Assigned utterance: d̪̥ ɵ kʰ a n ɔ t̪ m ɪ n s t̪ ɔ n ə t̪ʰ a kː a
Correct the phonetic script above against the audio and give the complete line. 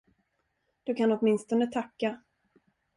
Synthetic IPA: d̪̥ ɵ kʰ a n ɔ t̪ m ɪ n s t̪ ɔ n ə t̪ʰ a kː a